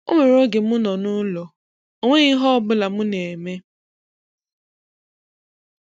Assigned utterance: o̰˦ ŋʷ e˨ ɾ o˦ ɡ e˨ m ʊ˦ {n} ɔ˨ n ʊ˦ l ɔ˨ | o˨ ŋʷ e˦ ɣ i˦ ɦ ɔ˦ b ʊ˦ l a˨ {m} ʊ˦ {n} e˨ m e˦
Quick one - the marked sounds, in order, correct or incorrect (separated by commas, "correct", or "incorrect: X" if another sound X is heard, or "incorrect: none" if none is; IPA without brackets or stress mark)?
correct, correct, correct